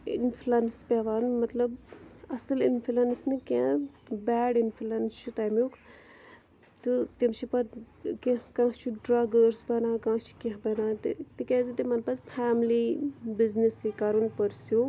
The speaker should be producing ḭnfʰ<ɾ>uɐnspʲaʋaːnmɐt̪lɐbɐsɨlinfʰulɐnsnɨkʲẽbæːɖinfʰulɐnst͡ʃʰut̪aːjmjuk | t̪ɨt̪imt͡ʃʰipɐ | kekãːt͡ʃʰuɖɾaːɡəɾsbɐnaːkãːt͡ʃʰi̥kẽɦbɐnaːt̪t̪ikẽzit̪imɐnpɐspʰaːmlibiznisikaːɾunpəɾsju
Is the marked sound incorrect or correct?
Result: incorrect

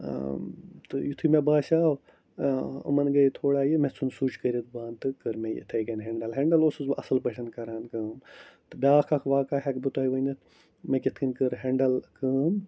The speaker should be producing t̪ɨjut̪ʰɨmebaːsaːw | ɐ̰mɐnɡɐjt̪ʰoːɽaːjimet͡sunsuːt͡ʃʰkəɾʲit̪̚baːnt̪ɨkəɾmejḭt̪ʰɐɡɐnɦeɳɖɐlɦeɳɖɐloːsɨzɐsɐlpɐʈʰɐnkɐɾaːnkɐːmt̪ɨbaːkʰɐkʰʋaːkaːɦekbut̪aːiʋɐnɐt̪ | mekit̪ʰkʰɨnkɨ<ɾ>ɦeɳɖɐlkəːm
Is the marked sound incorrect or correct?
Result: correct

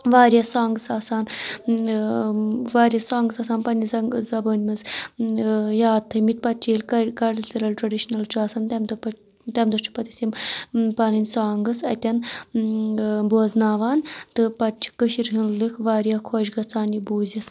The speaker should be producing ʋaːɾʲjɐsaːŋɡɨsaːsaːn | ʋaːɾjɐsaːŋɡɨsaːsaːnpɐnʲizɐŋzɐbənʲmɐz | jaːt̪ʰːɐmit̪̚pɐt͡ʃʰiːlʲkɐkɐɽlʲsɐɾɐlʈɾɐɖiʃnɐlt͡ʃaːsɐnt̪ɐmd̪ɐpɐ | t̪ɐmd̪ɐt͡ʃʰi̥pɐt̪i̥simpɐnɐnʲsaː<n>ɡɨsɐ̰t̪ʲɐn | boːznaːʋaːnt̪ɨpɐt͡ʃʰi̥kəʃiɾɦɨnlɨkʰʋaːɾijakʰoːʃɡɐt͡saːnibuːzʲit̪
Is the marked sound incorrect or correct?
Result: incorrect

